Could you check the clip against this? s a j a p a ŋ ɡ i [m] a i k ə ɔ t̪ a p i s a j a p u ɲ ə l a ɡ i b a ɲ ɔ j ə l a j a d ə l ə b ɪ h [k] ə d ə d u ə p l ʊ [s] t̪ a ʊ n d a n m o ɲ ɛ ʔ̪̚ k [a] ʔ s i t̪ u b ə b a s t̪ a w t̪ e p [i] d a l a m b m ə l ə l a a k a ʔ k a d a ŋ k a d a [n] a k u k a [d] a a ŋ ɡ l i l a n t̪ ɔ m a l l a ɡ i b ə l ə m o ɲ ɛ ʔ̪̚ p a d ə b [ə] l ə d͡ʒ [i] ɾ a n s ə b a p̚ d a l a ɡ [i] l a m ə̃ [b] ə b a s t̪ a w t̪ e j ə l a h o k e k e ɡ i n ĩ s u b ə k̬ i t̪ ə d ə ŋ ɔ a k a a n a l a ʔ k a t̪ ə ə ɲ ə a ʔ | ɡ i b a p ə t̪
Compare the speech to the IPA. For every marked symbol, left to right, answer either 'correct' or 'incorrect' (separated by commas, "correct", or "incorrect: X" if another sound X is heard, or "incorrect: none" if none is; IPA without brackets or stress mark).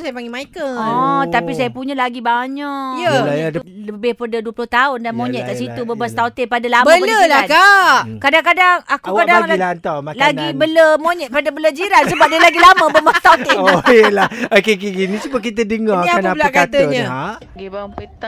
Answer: correct, incorrect: p, incorrect: h, correct, incorrect: a, incorrect: ŋ, correct, correct, correct, correct, correct